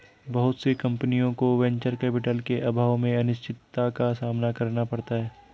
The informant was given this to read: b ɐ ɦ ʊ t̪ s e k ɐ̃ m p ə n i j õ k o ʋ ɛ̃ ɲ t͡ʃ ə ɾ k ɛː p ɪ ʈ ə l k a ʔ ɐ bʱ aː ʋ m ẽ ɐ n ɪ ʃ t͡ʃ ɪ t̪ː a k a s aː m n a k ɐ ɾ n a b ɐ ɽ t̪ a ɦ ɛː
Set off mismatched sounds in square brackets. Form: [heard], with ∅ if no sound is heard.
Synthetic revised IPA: b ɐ ɦ ʊ t̪ s e k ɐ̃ m p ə n i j õ k o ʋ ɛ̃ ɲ t͡ʃ ə ɾ k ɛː p ɪ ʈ ə l k [e] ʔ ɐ bʱ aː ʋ m ẽ ɐ n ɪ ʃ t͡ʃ ɪ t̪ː a k a s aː m n a k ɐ ɾ n a [p] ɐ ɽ t̪ a ɦ ɛː